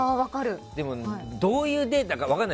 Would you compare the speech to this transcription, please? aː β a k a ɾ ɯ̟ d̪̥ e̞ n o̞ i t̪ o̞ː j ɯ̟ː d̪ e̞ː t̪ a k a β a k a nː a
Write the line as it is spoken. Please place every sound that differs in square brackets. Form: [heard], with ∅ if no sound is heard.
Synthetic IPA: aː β a k a ɾ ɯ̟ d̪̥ e̞ [m] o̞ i [d̪] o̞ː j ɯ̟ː d̪ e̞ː t̪ a k a β a k a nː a